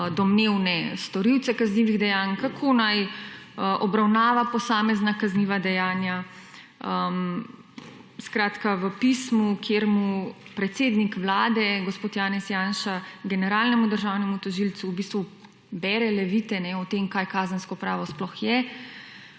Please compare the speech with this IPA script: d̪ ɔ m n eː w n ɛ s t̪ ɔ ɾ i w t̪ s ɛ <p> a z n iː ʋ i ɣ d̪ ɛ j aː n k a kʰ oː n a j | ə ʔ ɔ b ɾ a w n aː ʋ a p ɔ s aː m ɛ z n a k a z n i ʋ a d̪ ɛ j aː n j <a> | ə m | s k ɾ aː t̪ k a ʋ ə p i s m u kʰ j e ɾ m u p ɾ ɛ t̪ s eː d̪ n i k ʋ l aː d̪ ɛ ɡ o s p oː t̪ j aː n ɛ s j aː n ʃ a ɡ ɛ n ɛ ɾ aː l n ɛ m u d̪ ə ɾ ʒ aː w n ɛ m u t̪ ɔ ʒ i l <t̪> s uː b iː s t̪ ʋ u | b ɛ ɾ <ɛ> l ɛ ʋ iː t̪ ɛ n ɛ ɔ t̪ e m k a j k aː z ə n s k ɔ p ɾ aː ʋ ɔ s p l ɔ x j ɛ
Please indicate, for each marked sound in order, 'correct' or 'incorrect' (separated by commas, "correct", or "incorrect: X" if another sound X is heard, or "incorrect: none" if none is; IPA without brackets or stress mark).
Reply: incorrect: k, correct, correct, correct